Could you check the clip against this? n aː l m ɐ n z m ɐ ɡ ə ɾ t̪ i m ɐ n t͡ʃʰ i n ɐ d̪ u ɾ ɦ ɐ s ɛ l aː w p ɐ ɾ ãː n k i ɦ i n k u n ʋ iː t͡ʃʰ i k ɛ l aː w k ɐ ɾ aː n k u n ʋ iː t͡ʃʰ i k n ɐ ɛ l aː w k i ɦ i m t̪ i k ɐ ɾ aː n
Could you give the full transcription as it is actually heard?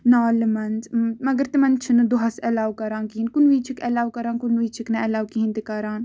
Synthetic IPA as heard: n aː l m ɐ n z m ɐ ɡ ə ɾ t̪ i m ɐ n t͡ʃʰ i n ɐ d̪ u ɦ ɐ s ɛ l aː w k ɐ ɾ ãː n k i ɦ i n k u n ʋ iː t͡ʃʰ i k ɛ l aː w k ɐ ɾ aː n k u n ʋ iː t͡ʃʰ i k n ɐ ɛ l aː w k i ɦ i n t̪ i k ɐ ɾ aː n